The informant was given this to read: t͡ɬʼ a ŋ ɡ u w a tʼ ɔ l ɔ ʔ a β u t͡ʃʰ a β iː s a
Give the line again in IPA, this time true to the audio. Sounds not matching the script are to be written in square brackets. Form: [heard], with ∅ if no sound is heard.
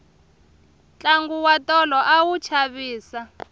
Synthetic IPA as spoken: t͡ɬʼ a ŋ ɡ u w a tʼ ɔ l ɔ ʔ a [w] u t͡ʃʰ a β iː s a